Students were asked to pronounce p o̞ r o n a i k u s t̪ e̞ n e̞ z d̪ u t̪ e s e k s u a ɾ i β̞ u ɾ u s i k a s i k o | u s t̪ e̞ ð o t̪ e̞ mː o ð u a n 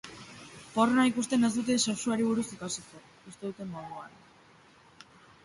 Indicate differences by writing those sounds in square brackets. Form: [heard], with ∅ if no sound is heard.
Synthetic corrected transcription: p o̞ r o n a i k u s t̪ e̞ n e̞ z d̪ u t̪ e s e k s u a ɾ i β̞ u ɾ u s i k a s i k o | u s t̪ e̞ ð [u] t̪ e̞ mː o ð u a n